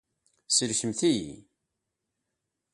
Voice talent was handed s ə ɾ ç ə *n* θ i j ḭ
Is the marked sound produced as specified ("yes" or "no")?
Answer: no